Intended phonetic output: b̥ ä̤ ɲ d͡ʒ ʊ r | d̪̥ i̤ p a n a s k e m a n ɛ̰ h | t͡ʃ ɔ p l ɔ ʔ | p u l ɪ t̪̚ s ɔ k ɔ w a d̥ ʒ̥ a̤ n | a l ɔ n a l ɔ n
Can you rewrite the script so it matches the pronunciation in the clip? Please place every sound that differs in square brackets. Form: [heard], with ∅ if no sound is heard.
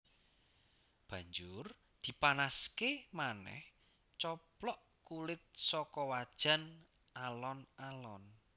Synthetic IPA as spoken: b̥ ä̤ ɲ d͡ʒ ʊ r | d̪̥ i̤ p a n a s k e m a n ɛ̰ h | t͡ʃ ɔ p l ɔ ʔ | [k] u l ɪ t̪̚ s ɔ k ɔ w a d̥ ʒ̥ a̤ n | a l ɔ n a l ɔ n